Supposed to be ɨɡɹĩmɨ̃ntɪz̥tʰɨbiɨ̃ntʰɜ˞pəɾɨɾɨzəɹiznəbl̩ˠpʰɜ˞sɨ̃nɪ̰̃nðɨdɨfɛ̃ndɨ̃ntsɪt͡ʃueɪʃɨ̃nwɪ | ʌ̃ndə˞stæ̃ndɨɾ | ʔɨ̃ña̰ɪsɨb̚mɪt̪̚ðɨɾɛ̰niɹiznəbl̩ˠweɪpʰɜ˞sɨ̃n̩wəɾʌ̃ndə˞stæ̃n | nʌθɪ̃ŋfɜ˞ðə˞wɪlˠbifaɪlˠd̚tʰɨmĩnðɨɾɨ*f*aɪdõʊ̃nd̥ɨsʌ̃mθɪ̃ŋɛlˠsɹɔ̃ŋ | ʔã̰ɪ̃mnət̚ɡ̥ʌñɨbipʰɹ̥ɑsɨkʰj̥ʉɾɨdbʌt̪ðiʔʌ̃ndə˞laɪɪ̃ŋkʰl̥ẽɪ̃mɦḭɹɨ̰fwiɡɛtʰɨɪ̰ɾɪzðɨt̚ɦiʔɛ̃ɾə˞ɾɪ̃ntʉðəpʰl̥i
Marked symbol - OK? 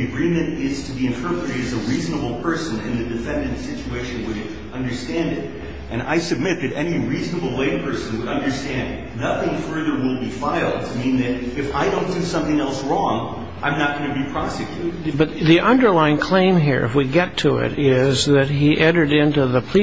yes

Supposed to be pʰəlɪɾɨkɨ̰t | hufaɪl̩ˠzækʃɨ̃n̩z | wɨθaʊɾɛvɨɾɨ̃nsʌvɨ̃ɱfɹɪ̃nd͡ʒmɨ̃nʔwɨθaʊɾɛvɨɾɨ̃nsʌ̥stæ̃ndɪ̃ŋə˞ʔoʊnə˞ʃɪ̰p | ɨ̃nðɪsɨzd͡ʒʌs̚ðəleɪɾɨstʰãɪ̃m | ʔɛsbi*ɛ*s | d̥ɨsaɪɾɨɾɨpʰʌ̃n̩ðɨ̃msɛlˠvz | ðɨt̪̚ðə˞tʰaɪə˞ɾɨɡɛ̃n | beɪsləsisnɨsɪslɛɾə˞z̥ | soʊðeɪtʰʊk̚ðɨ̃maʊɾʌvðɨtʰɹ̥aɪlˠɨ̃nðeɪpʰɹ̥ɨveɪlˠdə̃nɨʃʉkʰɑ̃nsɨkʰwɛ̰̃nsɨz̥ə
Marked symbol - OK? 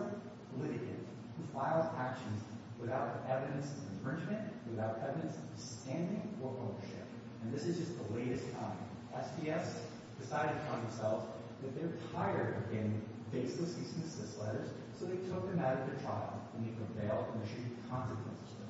yes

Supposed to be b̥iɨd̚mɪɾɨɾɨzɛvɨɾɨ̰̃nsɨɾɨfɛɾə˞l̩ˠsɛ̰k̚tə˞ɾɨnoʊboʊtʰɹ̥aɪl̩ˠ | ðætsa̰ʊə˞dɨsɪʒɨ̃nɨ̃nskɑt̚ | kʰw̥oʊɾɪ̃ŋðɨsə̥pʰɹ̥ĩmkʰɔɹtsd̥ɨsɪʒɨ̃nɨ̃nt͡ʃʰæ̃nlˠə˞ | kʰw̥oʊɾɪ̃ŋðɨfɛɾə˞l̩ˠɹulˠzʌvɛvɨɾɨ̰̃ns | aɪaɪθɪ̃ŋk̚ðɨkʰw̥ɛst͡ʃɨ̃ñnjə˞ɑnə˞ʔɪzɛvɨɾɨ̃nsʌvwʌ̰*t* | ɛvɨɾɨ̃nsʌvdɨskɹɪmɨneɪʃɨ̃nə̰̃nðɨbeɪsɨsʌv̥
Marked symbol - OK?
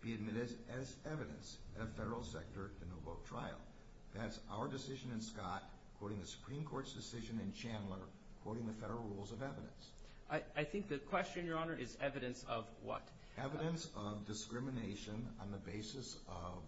yes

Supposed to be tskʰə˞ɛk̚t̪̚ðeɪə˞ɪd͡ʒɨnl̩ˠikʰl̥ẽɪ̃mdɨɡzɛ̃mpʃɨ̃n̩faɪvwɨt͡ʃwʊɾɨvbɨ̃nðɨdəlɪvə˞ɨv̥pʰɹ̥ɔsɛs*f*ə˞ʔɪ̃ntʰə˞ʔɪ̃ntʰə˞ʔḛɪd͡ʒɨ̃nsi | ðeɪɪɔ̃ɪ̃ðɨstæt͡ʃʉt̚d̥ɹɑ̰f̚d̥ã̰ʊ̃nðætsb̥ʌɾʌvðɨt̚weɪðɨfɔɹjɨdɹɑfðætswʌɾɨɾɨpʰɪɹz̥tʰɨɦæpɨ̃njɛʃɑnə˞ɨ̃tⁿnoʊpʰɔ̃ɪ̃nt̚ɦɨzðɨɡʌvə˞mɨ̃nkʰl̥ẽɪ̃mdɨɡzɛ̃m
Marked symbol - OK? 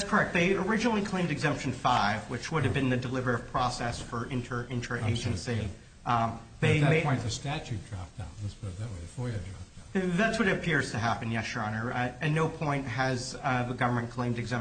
yes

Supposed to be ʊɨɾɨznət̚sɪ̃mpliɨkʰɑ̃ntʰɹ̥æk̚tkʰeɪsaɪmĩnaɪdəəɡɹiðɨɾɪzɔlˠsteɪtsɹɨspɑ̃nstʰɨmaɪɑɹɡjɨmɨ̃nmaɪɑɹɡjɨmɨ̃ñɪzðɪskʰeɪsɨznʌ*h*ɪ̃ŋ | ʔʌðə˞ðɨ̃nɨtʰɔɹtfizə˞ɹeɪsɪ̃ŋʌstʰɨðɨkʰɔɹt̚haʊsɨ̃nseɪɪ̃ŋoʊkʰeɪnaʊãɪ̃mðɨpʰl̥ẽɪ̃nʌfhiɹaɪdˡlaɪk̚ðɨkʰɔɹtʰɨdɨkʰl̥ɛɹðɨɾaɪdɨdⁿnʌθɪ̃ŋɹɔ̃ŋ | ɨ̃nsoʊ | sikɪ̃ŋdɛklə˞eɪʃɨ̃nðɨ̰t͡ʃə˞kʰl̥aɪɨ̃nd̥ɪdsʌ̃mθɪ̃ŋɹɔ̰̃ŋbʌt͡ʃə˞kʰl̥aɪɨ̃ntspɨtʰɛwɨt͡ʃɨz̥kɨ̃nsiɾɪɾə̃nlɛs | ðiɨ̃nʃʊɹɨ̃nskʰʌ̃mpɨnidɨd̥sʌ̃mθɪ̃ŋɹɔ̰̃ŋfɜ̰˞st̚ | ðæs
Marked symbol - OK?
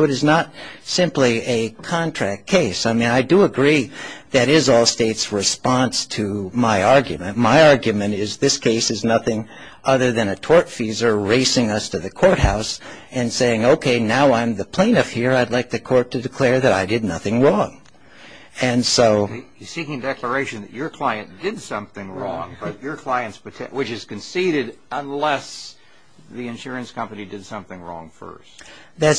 no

